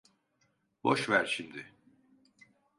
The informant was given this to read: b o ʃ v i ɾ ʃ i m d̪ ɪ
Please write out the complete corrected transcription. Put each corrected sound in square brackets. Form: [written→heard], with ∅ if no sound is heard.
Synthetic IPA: b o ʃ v [i→æ] ɾ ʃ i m d̪ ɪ

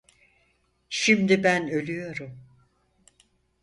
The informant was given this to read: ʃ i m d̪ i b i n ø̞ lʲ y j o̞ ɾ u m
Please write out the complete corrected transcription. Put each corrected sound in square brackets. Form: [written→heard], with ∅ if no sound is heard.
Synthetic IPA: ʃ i m d̪ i b [i→æ] n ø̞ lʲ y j o̞ ɾ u m

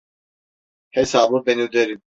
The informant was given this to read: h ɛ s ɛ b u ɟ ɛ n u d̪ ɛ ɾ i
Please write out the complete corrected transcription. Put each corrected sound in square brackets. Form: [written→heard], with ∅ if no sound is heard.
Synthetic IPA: h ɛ s [ɛ→a] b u [ɟ→b] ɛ n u d̪ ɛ ɾ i

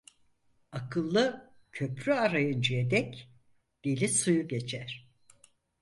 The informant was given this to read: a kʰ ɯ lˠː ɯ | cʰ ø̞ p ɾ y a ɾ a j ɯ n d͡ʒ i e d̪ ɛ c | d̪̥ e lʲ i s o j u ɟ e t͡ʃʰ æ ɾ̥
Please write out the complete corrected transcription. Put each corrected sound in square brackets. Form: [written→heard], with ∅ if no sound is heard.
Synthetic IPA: a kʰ ɯ lˠː ɯ | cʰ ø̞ p ɾ y a ɾ a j ɯ n d͡ʒ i e d̪ ɛ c | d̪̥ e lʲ i s [o→u] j u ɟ e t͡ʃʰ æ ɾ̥

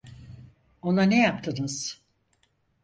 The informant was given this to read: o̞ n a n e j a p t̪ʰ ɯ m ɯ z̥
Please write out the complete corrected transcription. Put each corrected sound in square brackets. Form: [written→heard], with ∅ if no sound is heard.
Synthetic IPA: o̞ n a n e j a p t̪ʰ ɯ [m→n] ɯ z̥

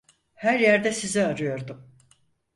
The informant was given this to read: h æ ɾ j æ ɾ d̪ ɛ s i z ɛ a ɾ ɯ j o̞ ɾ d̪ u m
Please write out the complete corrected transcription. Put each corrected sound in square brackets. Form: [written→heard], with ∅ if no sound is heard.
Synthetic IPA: h æ ɾ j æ ɾ d̪ ɛ s i z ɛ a ɾ ɯ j o̞ ɾ d̪ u m

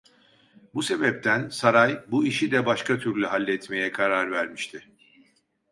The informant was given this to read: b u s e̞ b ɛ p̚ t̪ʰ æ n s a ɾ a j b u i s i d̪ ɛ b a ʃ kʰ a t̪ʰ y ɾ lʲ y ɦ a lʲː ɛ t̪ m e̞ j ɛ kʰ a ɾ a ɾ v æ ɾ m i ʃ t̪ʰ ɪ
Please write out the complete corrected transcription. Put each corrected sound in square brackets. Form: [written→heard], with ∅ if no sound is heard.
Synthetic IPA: b u s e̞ b ɛ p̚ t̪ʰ æ n s a ɾ a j b u i [s→ʃ] i d̪ ɛ b a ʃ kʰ a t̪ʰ y ɾ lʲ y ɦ a lʲː ɛ t̪ m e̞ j ɛ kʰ a ɾ a ɾ v æ ɾ m i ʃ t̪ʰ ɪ

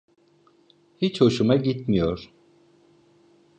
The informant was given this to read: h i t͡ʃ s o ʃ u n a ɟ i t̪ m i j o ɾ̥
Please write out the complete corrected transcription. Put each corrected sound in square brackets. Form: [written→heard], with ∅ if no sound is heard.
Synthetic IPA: h i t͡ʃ [s→h] o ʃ u [n→m] a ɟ i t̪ m i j o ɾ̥

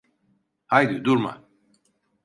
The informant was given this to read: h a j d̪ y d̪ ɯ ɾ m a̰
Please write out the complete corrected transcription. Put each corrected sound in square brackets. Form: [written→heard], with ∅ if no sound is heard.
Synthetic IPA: h a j d̪ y d̪ [ɯ→u] ɾ m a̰

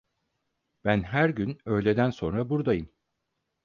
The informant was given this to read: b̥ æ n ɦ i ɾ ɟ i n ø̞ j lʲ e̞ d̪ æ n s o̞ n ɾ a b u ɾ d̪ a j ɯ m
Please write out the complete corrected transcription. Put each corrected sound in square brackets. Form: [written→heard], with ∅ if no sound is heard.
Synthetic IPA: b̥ æ n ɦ [i→æ] ɾ ɟ [i→y] n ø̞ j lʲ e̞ d̪ æ n s o̞ n ɾ a b u ɾ d̪ a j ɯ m

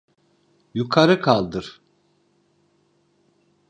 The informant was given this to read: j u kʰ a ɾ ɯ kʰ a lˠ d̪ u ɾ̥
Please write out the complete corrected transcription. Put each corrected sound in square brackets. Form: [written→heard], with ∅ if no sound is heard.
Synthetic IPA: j u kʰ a ɾ ɯ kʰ a lˠ d̪ [u→ɯ] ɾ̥

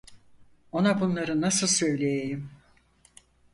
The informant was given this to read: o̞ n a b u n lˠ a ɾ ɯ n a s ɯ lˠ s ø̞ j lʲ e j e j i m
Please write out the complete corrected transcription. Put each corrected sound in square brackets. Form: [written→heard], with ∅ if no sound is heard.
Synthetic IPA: o̞ n a b u n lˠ a ɾ ɯ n a s ɯ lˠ s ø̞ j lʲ e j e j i m

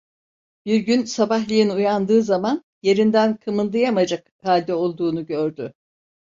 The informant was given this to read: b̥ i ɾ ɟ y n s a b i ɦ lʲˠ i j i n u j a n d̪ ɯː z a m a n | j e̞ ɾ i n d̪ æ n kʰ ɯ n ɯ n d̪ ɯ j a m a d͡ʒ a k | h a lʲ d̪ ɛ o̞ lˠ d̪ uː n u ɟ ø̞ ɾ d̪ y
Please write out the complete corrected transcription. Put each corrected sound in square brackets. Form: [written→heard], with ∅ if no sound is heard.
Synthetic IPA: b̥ i ɾ ɟ y n s a b [i→a] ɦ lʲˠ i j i n u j a n d̪ ɯː z a m a n | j e̞ ɾ i n d̪ æ n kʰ ɯ [n→m] ɯ n d̪ ɯ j a m a d͡ʒ a k | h a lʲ d̪ ɛ o̞ lˠ d̪ uː n u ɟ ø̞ ɾ d̪ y

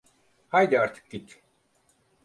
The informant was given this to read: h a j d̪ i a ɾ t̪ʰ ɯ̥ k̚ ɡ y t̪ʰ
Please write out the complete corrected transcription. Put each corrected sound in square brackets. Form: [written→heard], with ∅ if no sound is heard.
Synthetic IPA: h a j d̪ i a ɾ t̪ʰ ɯ̥ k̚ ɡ [y→i] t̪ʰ

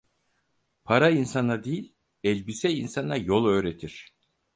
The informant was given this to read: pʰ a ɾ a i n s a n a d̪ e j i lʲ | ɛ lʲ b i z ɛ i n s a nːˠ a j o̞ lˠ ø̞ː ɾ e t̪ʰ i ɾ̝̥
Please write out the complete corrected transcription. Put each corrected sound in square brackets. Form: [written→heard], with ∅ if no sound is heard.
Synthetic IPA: pʰ a ɾ a i n s a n a d̪ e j i lʲ | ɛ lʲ b i [z→s] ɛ i n s a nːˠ a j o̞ lˠ ø̞ː ɾ e t̪ʰ i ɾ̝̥

